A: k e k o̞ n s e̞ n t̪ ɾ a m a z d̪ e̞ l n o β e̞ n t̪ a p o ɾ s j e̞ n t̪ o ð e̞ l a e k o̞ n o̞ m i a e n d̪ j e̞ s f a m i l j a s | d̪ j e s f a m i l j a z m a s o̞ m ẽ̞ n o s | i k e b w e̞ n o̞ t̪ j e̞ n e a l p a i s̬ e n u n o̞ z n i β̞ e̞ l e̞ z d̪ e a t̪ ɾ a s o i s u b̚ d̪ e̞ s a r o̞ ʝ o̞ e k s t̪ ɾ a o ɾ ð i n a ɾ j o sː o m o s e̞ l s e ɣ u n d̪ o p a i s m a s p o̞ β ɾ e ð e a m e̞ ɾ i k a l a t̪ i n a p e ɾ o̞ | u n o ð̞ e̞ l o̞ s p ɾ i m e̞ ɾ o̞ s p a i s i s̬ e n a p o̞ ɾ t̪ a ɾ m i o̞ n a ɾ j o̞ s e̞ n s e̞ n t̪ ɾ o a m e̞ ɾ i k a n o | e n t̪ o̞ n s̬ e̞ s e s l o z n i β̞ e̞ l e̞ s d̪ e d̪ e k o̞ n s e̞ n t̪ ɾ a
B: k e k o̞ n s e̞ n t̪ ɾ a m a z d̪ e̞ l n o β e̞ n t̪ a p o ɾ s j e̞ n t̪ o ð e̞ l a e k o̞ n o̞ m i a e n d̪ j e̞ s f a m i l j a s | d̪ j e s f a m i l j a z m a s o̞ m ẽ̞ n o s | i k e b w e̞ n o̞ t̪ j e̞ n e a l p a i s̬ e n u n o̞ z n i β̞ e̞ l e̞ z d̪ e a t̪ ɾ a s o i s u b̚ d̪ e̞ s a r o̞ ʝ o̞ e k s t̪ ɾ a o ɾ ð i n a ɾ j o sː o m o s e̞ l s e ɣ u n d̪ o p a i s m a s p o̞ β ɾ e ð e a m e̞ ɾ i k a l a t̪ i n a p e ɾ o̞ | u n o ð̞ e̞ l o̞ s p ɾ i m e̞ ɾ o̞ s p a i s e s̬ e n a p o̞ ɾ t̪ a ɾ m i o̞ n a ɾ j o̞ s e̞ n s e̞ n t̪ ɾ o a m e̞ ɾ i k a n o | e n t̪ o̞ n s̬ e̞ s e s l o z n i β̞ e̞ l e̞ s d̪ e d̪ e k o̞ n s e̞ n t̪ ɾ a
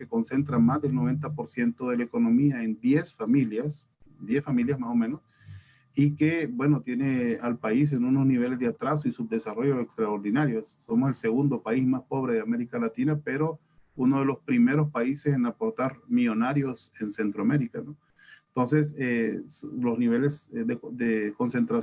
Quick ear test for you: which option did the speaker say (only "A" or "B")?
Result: B